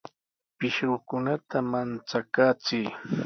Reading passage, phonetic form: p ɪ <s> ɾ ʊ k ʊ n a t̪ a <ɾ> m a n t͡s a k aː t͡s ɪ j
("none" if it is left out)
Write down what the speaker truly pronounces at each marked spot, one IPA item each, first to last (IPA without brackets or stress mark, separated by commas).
ʃ, none